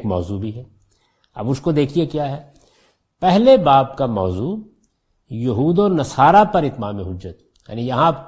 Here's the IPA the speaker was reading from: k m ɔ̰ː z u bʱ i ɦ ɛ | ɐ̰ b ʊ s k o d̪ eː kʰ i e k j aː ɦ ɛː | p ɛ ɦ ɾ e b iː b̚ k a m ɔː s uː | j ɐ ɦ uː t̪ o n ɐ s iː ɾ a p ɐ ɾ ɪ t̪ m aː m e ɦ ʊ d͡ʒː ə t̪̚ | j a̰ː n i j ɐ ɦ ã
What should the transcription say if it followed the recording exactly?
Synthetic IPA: k m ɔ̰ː z u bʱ i ɦ ɛ | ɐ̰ b ʊ s k o d̪ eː kʰ i e k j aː ɦ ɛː | p ɛ ɦ l e b aː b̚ k a m ɔː z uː | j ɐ ɦ uː d̪ o n ɐ s aː ɾ a p ɐ ɾ ɪ t̪ m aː m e ɦ ʊ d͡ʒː ə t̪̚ | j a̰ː n i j ɐ ɦ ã